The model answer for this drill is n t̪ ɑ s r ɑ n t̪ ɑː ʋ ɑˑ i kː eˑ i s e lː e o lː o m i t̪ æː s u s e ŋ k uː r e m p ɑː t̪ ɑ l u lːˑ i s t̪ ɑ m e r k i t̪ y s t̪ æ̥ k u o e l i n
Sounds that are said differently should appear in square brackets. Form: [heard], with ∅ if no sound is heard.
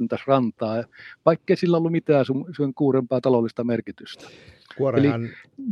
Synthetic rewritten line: n t̪ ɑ s r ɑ n t̪ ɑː ʋ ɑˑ i kː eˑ i s [i] lː [æ] o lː [u] m i t̪ æː s u s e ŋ k uː r e m p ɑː t̪ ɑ l [o] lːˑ i s t̪ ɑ m e r k i t̪ y s t̪ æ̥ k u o e l i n